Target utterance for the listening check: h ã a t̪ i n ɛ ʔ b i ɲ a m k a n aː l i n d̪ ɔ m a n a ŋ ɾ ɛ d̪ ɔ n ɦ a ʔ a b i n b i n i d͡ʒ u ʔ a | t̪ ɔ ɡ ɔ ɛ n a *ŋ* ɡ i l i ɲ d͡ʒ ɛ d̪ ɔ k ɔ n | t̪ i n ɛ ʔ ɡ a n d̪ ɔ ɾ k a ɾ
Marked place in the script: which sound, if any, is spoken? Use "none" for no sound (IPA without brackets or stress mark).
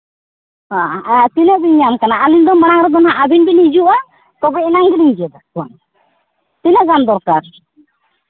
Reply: ŋ